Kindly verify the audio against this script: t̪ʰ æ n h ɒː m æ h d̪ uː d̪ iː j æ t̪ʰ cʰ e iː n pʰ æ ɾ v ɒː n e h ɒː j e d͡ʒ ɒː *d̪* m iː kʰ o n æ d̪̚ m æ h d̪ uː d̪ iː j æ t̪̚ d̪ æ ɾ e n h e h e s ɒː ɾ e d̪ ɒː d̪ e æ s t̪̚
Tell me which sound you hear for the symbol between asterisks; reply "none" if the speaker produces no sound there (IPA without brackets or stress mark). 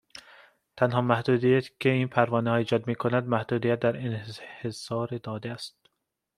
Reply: d̪